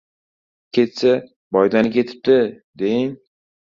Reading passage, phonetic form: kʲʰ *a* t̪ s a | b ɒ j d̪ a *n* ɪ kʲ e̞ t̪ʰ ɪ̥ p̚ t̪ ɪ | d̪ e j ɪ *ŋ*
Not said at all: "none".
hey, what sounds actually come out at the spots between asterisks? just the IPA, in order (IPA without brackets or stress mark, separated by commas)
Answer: e, n, ŋ